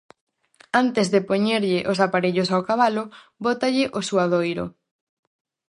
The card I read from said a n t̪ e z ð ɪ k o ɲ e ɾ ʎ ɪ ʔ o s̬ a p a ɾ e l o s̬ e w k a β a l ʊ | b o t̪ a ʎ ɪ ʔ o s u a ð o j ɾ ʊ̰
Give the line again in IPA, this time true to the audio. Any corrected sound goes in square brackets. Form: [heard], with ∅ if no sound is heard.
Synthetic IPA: a n t̪ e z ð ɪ [p] o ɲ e ɾ ʎ ɪ ʔ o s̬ a p a ɾ e [ʎ] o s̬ [a] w k a β a l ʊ | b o t̪ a ʎ ɪ ʔ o s u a ð o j ɾ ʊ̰